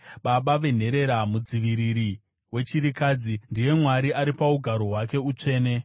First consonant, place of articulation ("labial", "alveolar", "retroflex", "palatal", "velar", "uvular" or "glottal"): labial